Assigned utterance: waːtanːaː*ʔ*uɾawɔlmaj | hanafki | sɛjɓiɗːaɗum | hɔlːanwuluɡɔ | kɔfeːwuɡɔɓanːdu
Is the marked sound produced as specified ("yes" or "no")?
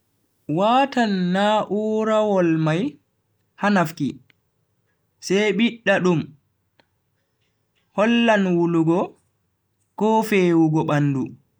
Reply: yes